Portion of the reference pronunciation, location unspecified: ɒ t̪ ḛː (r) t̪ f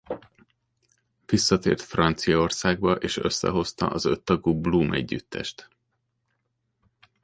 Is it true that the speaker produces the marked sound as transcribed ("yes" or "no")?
yes